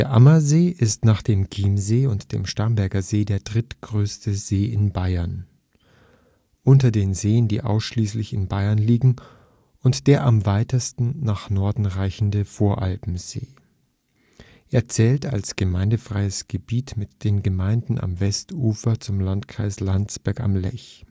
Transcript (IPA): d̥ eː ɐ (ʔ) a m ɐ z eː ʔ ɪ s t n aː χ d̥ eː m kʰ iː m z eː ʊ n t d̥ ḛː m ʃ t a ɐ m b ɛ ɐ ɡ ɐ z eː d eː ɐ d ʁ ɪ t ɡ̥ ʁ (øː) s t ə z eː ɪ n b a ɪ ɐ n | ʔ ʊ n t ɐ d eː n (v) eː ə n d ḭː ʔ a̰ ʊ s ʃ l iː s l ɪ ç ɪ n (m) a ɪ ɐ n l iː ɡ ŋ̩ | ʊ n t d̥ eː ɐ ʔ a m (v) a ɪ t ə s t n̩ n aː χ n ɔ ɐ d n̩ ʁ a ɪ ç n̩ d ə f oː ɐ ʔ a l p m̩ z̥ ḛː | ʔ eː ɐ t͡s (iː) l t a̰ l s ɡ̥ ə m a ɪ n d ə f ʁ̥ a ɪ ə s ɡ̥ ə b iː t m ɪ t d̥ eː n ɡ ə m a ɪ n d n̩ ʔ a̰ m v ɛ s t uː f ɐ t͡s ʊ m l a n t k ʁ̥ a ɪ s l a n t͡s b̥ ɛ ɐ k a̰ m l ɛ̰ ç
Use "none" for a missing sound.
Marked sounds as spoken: ʔ, øː, z, b, v, ɛː

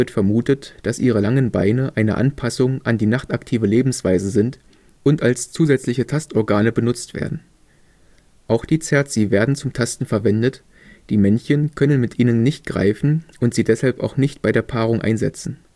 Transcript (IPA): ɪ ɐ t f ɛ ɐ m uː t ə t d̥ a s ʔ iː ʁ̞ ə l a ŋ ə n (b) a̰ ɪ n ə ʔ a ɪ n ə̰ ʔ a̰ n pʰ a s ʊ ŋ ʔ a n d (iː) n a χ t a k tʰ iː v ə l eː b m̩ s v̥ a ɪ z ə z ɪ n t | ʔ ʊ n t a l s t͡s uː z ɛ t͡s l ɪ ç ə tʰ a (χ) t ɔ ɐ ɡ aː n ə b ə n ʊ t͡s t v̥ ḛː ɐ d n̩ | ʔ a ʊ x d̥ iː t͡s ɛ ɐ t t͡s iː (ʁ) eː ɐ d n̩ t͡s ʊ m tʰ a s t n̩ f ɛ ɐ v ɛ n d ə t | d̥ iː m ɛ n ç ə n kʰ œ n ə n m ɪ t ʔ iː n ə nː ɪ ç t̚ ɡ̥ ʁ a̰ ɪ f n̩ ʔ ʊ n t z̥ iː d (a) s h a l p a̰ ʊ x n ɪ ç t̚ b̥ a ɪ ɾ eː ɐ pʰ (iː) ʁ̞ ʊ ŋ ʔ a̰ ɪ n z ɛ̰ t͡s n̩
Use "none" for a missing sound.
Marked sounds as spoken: b, iː, s, v, ɛ, aː

